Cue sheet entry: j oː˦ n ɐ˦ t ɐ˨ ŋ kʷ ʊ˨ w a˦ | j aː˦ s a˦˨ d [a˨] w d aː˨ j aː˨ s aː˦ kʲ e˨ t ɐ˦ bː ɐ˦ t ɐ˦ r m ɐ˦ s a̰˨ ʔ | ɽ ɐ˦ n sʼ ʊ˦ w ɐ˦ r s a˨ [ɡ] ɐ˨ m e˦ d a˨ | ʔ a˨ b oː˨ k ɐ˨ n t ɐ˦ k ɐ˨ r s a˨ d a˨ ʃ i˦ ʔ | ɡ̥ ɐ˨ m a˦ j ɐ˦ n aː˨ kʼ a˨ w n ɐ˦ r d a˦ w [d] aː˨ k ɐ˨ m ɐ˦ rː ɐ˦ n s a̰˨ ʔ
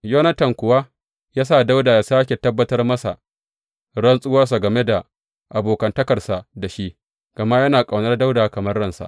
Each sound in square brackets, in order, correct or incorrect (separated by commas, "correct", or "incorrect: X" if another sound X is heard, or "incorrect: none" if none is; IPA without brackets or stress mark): incorrect: a˦, correct, correct